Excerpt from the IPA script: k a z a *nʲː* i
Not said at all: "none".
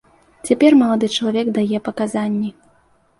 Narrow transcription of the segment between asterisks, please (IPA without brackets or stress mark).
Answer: nʲː